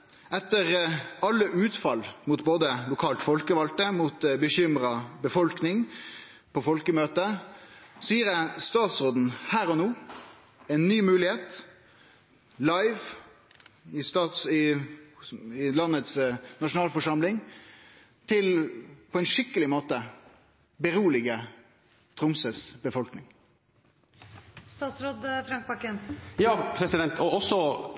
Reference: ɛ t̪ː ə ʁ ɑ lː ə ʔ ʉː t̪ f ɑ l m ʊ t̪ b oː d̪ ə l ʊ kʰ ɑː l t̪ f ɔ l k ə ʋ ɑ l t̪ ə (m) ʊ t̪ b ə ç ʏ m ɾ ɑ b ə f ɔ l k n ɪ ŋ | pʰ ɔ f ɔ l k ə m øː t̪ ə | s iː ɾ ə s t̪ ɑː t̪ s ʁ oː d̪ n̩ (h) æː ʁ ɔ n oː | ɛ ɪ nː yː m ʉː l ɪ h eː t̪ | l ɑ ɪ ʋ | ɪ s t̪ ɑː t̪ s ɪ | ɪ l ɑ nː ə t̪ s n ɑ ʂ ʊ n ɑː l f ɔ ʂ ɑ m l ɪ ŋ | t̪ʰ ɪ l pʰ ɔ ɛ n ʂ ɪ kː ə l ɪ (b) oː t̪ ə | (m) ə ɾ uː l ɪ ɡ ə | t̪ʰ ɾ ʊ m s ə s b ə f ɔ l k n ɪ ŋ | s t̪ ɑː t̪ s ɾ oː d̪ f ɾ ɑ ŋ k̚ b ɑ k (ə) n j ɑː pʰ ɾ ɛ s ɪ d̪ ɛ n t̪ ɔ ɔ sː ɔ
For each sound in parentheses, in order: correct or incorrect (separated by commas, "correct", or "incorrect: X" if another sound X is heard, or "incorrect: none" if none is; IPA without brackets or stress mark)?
correct, correct, incorrect: m, incorrect: b, correct